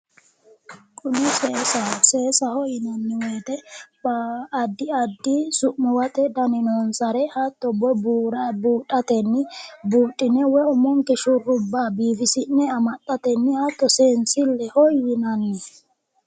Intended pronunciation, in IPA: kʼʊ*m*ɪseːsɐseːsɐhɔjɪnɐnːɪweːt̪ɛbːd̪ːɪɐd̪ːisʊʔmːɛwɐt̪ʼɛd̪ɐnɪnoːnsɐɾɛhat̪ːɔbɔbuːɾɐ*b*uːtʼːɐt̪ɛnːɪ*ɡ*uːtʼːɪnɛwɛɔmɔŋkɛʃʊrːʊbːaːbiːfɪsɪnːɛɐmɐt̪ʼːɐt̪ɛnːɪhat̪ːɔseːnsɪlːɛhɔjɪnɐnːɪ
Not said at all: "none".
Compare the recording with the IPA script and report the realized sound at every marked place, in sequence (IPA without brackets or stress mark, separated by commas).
n, b, b